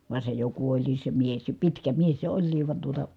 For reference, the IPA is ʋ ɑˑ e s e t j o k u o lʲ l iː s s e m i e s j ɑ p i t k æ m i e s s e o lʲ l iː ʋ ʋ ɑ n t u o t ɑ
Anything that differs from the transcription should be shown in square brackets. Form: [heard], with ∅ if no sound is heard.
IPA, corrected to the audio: ʋ ɑˑ e s e [∅] j o k u o lʲ l iː s s e m i e s j ɑ p i t k æ m i e s s e o lʲ l iː ʋ ʋ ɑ n t u o t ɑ